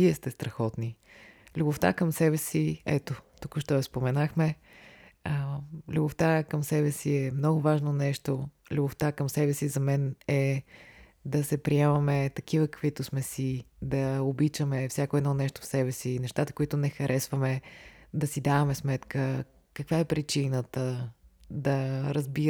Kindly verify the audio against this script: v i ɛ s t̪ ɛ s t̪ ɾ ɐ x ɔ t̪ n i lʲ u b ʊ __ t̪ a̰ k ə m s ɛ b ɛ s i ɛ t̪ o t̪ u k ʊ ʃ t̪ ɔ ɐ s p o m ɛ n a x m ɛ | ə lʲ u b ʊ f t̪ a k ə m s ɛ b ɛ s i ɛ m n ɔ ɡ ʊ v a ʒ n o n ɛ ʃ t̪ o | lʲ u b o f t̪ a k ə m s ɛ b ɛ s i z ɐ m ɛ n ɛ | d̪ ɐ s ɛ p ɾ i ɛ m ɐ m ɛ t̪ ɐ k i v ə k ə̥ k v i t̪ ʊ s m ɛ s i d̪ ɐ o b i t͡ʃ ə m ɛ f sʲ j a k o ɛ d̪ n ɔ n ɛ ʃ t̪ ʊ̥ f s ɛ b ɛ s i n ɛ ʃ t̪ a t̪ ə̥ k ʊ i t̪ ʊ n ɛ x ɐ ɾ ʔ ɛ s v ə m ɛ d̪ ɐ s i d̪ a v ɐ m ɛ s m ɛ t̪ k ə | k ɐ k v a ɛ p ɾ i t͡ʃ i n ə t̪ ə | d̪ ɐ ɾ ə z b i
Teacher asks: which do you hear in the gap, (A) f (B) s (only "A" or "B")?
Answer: A